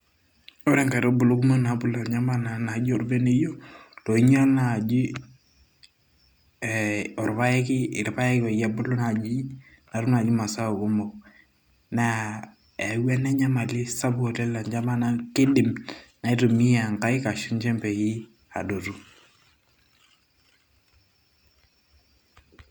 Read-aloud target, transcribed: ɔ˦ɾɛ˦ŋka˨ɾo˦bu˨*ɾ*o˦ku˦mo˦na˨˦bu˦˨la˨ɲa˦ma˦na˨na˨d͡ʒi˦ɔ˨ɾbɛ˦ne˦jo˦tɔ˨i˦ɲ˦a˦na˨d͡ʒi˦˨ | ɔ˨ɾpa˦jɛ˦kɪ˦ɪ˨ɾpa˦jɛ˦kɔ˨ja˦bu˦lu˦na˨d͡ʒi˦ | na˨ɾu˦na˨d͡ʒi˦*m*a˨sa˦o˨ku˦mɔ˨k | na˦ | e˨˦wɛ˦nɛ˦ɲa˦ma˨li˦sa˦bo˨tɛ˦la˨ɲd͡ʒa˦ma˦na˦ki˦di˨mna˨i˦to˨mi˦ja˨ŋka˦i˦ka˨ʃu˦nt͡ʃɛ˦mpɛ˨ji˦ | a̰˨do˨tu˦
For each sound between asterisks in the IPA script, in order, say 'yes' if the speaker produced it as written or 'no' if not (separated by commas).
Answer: no, yes